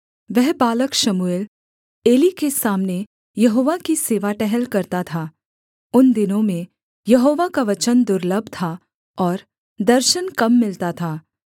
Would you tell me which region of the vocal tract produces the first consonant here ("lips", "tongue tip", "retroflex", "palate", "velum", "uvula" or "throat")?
lips